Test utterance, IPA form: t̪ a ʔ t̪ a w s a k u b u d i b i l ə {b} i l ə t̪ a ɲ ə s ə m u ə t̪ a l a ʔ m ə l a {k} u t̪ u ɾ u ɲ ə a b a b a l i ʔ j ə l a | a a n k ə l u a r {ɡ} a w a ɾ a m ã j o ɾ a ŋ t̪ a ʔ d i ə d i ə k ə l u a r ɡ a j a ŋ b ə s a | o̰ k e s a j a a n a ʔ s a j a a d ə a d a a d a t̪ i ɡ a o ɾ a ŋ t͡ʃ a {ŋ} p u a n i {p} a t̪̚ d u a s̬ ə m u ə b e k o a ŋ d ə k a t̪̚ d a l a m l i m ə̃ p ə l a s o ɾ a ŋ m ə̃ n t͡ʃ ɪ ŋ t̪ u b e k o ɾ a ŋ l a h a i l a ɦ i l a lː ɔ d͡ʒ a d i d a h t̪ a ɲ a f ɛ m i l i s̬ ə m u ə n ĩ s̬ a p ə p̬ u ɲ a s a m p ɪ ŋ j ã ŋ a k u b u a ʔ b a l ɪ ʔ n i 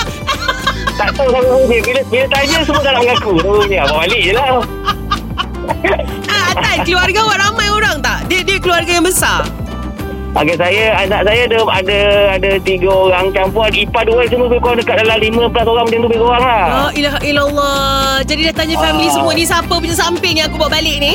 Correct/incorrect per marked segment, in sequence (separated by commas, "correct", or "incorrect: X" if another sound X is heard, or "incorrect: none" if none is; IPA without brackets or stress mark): correct, correct, correct, incorrect: m, correct